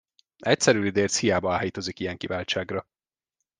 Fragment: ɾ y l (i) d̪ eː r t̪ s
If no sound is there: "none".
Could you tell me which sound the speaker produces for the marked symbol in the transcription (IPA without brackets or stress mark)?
i